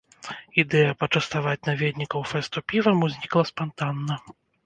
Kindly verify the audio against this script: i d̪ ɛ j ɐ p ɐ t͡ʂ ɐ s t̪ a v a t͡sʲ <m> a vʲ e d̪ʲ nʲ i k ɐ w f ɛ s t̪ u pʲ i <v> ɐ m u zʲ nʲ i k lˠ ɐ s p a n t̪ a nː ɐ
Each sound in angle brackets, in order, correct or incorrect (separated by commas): incorrect, correct